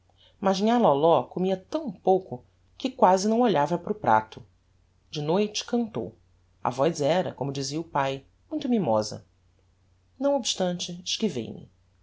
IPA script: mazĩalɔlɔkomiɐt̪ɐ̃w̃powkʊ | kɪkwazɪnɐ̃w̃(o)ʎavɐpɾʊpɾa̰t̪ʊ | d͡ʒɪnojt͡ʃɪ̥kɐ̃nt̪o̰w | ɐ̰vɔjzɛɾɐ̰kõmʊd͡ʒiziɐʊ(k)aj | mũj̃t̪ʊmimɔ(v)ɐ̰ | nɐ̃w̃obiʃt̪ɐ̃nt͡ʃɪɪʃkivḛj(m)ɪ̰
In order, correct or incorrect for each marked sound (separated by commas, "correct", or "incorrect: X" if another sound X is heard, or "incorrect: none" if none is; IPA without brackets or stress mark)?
correct, incorrect: p, incorrect: z, correct